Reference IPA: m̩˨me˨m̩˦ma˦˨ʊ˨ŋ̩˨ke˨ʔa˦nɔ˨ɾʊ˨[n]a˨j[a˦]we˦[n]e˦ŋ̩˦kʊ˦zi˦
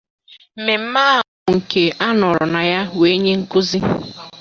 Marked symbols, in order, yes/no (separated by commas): yes, yes, no